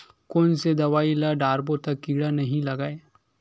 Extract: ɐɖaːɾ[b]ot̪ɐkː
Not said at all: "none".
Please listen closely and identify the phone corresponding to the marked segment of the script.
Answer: b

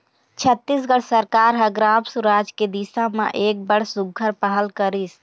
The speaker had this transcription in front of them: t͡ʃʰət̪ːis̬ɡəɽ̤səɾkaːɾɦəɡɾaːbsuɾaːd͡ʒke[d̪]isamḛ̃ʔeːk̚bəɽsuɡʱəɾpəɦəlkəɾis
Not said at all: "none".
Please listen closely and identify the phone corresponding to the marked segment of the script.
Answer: d̪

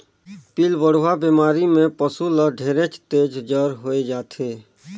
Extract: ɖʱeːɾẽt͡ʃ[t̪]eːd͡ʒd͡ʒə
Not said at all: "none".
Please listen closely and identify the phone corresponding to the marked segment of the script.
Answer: t̪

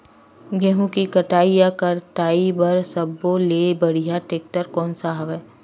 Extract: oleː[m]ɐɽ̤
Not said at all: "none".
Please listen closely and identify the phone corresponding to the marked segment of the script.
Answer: b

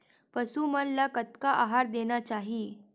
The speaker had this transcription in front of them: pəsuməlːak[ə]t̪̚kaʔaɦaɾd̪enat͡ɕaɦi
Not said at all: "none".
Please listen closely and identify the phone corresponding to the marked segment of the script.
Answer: ə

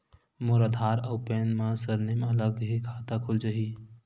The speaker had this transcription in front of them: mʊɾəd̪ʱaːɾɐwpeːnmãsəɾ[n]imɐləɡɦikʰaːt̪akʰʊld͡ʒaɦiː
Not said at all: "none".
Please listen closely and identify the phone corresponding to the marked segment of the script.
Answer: n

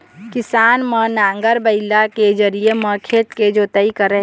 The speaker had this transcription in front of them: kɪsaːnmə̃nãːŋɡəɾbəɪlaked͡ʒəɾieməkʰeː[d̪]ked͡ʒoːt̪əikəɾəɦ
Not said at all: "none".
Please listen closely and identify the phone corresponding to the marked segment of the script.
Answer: t̪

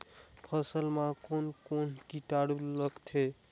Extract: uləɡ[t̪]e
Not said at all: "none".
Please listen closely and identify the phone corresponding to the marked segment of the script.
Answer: t̪ʰ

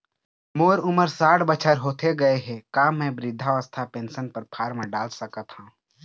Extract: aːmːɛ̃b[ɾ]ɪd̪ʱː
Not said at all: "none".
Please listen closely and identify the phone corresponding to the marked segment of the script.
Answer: ɾ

